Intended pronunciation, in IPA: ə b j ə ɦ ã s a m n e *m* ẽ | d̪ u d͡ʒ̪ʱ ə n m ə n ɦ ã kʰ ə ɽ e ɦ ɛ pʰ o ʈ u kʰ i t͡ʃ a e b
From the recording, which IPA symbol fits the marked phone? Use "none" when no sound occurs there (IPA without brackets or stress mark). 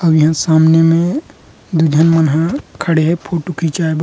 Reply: m